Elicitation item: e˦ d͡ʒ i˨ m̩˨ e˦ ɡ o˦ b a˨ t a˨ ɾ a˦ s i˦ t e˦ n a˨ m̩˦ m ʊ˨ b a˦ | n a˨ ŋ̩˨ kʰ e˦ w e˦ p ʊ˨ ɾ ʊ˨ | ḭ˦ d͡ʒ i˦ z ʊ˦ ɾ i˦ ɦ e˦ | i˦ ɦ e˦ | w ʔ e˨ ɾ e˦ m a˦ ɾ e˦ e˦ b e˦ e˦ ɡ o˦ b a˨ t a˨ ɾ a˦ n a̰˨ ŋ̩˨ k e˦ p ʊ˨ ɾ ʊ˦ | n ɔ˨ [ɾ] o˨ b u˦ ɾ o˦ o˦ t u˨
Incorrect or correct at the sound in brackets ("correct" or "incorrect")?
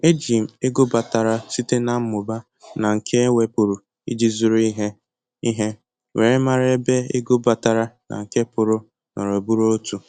correct